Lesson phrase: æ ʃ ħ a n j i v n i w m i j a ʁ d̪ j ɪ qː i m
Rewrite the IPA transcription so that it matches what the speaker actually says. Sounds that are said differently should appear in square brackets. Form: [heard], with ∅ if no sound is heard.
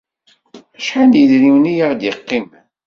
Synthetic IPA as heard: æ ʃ ħ a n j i [ð] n i w [n] i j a ʁ d̪ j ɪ qː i m